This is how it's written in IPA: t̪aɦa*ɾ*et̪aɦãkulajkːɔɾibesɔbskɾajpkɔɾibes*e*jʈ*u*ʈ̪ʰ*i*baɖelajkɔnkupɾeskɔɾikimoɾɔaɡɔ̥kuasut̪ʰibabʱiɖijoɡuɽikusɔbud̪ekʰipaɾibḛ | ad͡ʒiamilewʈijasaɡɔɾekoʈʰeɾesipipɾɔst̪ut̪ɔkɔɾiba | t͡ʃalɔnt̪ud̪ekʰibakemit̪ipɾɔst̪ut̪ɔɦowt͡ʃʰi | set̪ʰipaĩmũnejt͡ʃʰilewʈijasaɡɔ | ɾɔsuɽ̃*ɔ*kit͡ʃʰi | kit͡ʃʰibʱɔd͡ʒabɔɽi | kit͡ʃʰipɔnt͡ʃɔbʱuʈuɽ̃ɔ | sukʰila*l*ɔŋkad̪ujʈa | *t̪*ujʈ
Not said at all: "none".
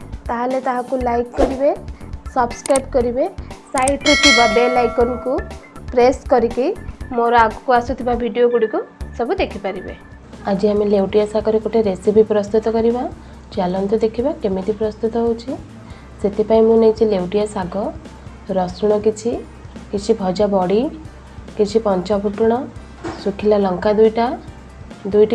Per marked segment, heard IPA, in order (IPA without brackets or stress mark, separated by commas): l, a, u, i, ɔ, l, d̪